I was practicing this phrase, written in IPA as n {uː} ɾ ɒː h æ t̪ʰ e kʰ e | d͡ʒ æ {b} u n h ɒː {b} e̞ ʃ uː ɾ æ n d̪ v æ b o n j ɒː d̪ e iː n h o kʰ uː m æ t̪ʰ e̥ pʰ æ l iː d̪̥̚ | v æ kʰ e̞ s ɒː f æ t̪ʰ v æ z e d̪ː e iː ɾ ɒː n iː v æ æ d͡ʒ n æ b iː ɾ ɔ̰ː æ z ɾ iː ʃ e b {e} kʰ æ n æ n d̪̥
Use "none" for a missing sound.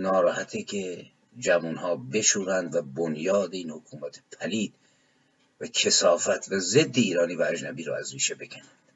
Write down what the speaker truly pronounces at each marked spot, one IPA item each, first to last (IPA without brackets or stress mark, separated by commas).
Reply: ɒː, v, b, e